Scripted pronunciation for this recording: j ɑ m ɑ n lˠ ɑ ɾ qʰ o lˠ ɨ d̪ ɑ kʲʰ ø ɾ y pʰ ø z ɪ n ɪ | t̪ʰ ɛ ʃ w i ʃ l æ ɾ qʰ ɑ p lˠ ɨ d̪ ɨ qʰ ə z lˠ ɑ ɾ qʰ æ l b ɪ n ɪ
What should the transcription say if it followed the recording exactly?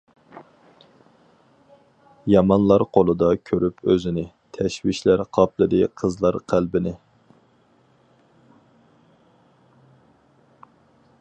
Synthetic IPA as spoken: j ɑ m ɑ n lˠ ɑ ɾ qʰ o lˠ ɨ d̪ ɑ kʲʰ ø ɾ y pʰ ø z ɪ n ɪ | t̪ʰ ɛ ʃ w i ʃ l æ ɾ qʰ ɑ p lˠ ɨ d̪ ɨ qʰ ə z lˠ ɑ ɾ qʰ æ l b ɪ n ɪ